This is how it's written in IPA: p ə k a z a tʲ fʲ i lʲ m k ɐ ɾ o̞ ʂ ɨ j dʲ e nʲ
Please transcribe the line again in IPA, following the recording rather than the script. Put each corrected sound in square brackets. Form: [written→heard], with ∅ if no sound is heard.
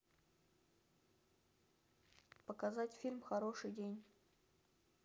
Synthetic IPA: p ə k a z a tʲ fʲ i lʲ m [k→x] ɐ ɾ o̞ ʂ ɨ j dʲ e nʲ

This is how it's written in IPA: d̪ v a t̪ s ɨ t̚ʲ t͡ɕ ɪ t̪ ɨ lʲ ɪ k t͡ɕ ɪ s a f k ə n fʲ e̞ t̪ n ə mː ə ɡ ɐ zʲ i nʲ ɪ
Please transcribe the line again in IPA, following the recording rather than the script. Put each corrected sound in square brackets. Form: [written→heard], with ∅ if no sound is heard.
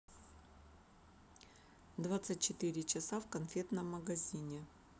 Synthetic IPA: d̪ v a t̪ s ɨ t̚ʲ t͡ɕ ɪ t̪ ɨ [lʲ→ɾʲ] ɪ [k→∅] t͡ɕ ɪ s a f k [ə→ɐ] n fʲ e̞ t̪ n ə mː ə ɡ ɐ zʲ i nʲ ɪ

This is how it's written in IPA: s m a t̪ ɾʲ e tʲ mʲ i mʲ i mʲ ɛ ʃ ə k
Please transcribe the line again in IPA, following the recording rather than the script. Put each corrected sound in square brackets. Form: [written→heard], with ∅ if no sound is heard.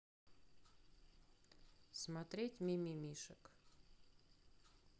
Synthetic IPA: s m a t̪ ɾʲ e tʲ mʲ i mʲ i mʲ [ɛ→i] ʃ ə k

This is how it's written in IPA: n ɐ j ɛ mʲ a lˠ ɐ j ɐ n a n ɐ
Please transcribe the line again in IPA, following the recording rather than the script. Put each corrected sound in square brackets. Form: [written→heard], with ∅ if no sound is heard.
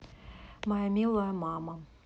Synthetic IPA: [n→m] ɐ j [ɛ→a] mʲ [a→i] lˠ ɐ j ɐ [n→m] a [n→m] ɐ

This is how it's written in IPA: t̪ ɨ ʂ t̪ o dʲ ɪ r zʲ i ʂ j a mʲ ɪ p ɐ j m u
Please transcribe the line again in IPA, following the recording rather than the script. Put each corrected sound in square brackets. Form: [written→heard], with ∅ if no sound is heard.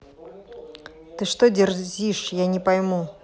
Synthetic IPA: t̪ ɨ ʂ t̪ o dʲ ɪ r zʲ i ʂ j a [mʲ→nʲ] ɪ p ɐ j m u

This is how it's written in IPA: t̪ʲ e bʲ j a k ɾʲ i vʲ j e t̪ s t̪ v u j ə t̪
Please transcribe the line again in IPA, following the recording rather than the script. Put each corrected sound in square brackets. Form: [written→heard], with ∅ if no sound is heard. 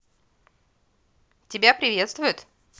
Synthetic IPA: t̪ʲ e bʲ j a [k→p] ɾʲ i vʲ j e t̪ s t̪ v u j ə t̪

